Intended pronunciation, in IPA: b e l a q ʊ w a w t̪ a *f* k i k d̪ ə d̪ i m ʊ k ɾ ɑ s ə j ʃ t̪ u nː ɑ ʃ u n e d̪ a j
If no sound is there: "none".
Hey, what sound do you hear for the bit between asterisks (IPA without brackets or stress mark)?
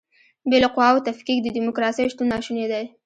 f